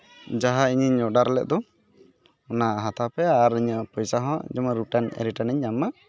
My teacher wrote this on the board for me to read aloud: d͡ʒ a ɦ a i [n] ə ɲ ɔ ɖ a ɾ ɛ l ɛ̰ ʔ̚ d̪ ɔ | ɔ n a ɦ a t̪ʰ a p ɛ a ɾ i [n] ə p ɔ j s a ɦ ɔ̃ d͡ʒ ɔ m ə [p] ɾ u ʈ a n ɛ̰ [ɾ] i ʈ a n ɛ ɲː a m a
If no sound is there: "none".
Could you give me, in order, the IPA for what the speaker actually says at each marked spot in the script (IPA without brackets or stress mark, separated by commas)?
ɲ, ɲ, none, ɾ